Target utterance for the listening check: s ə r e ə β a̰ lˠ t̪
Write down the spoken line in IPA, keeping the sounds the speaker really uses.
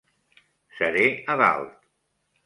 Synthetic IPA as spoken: s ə ɾ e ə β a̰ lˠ t̪